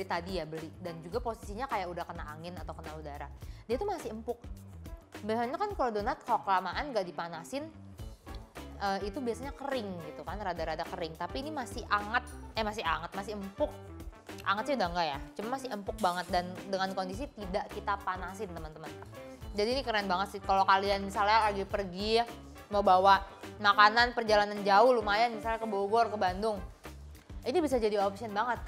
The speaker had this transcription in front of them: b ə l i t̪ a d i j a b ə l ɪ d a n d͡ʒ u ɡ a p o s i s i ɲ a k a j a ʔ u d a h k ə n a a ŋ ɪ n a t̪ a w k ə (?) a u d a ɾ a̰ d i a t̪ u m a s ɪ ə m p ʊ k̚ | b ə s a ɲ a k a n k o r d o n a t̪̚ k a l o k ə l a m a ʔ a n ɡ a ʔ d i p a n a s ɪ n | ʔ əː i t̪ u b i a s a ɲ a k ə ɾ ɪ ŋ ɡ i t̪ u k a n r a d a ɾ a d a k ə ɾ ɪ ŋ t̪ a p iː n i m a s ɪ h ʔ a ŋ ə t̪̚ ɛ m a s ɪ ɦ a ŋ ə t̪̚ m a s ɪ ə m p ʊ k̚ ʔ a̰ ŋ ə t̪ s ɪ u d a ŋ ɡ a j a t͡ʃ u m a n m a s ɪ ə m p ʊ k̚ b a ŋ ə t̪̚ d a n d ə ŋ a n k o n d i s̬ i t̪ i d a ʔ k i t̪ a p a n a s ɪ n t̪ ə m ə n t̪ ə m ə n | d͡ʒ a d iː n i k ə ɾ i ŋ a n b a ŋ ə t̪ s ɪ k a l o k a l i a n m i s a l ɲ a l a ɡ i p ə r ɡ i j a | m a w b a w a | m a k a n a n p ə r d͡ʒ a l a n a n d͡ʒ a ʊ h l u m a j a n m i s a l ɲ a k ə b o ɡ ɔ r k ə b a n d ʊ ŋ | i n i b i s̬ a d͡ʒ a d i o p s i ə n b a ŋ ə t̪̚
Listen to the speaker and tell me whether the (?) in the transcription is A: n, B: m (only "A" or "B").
A